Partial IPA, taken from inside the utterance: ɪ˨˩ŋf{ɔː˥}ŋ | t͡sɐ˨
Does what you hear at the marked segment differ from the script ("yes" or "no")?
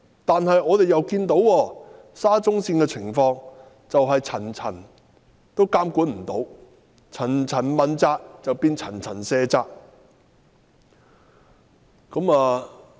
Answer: yes